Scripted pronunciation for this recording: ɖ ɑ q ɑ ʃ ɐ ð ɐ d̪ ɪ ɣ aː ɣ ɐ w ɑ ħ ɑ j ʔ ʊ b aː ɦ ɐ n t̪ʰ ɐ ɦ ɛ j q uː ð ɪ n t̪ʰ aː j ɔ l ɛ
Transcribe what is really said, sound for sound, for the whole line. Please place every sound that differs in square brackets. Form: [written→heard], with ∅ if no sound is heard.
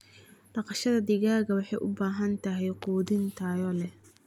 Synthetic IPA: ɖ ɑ q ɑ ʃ ɐ ð ɐ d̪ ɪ ɣ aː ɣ ɐ w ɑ ħ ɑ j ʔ ʊ b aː ɦ ɐ n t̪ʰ ɐ ɦ ɛ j q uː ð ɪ n t̪ʰ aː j ɔ l ɛ